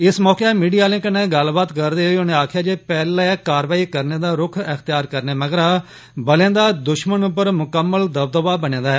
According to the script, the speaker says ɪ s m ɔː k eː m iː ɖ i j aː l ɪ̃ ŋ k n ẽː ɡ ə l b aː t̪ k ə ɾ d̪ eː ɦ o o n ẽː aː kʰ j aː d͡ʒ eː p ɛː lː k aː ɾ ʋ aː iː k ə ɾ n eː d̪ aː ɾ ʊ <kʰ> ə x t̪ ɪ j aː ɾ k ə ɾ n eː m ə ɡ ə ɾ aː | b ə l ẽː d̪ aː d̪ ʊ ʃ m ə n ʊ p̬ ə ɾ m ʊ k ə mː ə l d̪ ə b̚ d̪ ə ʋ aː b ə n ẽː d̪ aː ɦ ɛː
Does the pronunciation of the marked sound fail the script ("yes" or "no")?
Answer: no